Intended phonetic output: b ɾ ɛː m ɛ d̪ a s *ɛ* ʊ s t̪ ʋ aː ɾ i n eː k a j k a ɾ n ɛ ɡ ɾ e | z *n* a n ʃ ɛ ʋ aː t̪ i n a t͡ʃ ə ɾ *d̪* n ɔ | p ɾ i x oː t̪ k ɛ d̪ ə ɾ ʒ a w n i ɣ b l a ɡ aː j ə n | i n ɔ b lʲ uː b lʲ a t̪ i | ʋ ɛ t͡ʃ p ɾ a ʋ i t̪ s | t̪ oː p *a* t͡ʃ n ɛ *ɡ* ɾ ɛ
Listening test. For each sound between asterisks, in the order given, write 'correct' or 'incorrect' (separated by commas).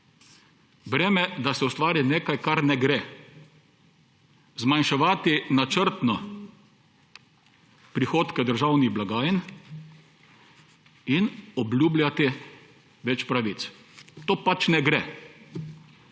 correct, incorrect, incorrect, correct, correct